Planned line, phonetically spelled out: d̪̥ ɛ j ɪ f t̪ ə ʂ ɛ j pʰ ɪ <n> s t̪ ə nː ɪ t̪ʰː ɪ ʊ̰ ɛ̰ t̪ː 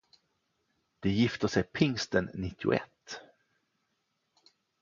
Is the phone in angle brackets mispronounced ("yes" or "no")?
yes